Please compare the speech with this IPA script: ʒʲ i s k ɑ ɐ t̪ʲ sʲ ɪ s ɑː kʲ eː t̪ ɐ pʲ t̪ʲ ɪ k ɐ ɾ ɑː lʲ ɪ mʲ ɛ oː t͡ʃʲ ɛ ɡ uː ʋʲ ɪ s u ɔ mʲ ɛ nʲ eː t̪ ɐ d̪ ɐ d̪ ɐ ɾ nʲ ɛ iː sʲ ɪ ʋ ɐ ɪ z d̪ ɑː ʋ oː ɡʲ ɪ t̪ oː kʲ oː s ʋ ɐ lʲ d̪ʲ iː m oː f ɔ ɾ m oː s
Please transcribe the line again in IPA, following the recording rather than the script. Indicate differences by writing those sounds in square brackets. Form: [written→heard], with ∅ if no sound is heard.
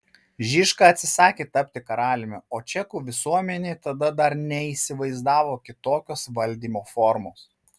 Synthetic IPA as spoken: ʒʲ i [s→ʃ] k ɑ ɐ t̪ʲ sʲ ɪ s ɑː kʲ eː t̪ ɐ pʲ t̪ʲ ɪ k ɐ ɾ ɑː lʲ ɪ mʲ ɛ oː t͡ʃʲ ɛ [ɡ→k] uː ʋʲ ɪ s u ɔ mʲ ɛ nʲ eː t̪ ɐ d̪ ɐ d̪ ɐ ɾ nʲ ɛ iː sʲ ɪ ʋ ɐ ɪ z d̪ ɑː ʋ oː [ɡʲ→kʲ] ɪ t̪ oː kʲ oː s ʋ ɐ lʲ d̪ʲ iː m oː f ɔ ɾ m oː s